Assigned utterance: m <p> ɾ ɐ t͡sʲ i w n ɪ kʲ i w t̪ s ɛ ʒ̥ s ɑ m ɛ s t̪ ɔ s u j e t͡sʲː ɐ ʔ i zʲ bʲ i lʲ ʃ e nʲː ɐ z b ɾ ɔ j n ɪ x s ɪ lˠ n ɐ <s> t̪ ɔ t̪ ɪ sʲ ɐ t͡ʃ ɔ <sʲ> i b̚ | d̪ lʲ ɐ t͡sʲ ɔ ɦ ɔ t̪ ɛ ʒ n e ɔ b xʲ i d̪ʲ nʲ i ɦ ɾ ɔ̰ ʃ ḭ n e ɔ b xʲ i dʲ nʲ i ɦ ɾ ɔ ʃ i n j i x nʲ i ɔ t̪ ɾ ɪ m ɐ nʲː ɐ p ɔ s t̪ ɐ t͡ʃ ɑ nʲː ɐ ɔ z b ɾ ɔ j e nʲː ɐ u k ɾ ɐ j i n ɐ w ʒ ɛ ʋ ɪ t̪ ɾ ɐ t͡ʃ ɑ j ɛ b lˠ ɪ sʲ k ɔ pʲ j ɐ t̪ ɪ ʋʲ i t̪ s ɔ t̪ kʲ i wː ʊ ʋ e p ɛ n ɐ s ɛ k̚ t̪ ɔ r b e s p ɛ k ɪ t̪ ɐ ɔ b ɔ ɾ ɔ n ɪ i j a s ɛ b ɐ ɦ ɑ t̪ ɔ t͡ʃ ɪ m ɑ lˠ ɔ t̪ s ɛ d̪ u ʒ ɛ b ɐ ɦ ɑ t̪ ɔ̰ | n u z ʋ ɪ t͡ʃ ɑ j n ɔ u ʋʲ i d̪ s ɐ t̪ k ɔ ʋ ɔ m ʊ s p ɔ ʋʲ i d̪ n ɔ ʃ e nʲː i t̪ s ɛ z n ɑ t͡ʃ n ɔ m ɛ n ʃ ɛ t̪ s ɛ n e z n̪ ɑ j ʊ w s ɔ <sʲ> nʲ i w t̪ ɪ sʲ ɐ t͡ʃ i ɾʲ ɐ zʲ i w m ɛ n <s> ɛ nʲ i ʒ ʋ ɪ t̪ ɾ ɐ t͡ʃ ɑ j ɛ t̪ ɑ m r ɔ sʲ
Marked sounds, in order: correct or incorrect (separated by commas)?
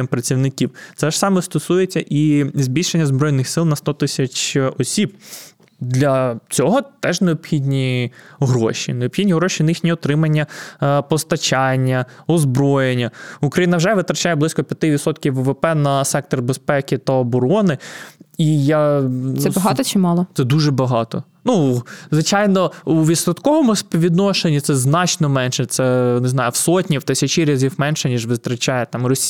correct, correct, correct, incorrect, incorrect